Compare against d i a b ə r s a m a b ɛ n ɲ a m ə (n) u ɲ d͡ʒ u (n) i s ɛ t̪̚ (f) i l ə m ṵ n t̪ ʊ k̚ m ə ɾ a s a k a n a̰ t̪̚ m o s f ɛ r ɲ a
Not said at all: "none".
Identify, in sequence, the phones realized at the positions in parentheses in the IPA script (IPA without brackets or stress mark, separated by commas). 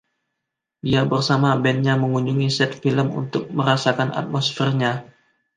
ŋ, ŋ, f